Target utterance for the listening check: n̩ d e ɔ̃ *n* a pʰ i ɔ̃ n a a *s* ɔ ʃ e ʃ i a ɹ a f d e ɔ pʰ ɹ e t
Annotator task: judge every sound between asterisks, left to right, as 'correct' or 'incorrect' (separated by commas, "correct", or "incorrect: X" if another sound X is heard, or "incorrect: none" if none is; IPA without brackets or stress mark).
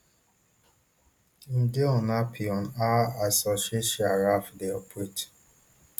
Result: correct, correct